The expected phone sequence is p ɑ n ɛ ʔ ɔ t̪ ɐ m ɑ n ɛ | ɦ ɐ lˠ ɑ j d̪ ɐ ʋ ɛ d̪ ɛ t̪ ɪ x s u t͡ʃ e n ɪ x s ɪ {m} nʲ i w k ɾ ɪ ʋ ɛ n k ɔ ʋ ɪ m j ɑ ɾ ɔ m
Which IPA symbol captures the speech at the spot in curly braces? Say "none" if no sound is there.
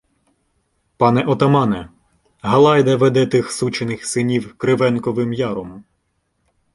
none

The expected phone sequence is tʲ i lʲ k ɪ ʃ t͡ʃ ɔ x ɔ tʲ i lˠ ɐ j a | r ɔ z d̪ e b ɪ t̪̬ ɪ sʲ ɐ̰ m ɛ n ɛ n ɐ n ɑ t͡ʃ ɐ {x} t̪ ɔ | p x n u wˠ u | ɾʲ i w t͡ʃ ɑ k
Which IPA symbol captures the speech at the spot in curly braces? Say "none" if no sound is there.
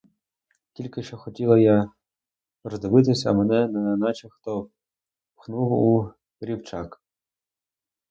x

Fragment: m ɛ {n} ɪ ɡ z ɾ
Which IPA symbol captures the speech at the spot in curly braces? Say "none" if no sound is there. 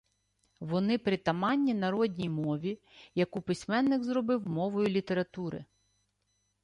nː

